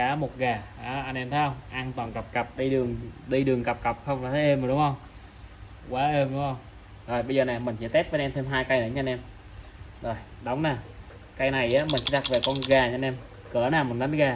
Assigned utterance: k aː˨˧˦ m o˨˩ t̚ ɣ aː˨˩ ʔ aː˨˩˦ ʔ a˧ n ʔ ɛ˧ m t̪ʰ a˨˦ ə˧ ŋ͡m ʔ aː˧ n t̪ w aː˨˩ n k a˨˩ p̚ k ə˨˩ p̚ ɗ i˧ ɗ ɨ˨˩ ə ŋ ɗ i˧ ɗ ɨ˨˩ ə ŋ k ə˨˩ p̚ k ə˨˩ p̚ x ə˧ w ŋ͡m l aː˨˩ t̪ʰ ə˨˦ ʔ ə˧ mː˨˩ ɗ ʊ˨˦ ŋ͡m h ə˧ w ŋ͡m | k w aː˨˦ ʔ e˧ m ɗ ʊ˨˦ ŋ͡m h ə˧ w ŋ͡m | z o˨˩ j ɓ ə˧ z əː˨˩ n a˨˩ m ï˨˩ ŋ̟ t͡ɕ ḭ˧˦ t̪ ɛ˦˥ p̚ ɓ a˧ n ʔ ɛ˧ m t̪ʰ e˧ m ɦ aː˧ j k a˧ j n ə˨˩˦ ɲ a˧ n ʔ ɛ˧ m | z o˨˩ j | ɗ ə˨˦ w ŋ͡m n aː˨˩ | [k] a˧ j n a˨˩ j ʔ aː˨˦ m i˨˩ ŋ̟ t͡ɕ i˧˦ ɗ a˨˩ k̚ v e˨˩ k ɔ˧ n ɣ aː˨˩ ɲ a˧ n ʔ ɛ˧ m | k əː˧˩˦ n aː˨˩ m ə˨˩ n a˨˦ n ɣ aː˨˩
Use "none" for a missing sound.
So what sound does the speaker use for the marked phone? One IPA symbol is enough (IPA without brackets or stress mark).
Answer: k